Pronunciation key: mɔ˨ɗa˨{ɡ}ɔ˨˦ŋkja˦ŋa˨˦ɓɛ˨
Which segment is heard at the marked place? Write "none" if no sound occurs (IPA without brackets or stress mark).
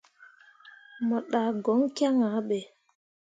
ɡ